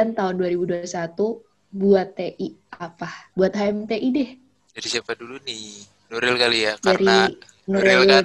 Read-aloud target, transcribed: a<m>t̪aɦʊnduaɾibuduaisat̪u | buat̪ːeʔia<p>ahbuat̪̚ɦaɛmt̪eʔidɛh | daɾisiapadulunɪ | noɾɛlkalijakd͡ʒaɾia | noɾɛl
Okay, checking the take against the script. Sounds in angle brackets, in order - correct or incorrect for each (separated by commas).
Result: incorrect, correct